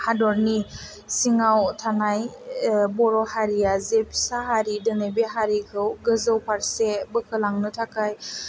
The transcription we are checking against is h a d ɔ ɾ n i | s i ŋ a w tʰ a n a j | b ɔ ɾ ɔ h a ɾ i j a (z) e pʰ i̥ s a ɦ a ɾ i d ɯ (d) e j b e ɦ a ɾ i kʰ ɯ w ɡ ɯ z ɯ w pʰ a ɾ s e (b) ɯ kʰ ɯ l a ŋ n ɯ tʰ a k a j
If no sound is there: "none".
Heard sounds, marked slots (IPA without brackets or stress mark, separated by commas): z, n, b